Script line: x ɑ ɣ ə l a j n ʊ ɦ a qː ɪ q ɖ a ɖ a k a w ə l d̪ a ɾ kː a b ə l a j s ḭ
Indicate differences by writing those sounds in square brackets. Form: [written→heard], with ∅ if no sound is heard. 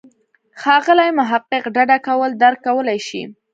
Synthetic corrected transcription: x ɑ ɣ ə l a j [n→m] ʊ ɦ a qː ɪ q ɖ a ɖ a k a w ə l d̪ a ɾ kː a [b→w] ə l a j [s→ʃ] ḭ